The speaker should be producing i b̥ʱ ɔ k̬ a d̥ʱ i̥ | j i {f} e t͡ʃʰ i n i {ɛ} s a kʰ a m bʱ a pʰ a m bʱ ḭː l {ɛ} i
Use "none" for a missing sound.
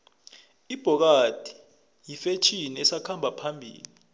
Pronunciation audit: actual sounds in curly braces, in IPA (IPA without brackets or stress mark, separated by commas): f, ɛ, i